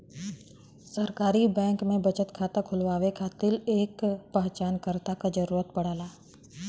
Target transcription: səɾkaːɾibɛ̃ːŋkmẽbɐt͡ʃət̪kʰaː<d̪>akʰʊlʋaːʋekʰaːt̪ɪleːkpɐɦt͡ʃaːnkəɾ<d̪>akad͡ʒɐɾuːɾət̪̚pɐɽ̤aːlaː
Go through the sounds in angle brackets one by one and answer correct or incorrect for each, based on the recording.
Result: incorrect: t̪, incorrect: t̪

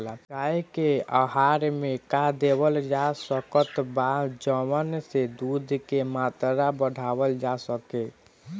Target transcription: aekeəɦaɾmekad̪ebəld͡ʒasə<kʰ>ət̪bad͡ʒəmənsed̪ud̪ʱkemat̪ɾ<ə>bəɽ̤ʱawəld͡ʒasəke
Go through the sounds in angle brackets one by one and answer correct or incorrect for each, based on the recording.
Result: incorrect: k, incorrect: a

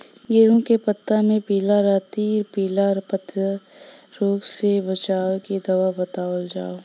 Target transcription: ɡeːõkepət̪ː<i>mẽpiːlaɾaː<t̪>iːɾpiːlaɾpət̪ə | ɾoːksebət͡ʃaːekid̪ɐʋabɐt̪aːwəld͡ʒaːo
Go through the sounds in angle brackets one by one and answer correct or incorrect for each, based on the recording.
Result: incorrect: a, correct

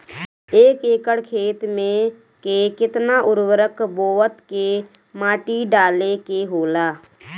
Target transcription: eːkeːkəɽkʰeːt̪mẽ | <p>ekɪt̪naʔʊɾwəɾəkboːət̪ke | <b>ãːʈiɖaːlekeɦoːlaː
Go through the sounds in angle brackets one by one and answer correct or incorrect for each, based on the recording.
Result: incorrect: k, incorrect: m

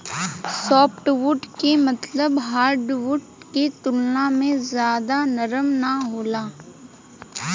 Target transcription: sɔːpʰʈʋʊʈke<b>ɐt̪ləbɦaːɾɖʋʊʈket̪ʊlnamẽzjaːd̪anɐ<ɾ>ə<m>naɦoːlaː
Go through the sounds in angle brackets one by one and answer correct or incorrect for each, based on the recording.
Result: incorrect: m, correct, correct

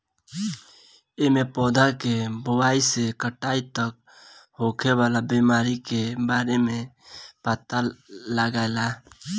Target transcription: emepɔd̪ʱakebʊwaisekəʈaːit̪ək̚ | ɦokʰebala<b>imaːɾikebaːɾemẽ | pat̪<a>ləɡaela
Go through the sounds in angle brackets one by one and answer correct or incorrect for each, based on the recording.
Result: correct, correct

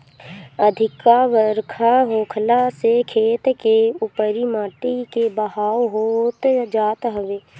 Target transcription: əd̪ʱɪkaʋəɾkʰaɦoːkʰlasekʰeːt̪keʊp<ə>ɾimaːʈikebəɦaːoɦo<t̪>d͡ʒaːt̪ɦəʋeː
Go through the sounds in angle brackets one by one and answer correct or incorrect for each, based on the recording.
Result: correct, correct

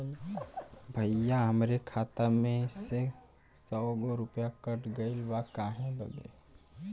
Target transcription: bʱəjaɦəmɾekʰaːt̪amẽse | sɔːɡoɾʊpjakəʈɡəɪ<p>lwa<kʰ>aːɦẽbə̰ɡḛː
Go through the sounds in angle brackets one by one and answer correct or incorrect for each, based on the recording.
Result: incorrect: none, incorrect: k

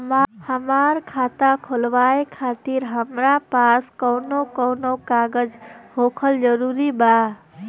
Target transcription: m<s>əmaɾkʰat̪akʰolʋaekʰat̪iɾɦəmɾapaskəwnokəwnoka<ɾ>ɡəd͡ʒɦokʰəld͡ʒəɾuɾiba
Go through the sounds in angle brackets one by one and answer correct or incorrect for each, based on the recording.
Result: incorrect: h, incorrect: none

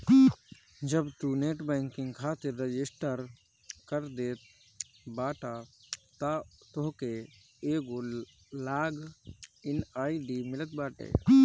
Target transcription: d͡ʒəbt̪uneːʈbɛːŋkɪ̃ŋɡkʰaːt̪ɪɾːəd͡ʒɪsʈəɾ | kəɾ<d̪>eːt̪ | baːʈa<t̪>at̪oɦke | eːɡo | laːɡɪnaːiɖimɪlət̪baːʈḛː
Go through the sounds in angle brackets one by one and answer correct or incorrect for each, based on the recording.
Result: correct, correct

